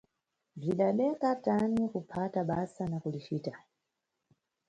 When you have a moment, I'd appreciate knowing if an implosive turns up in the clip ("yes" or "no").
yes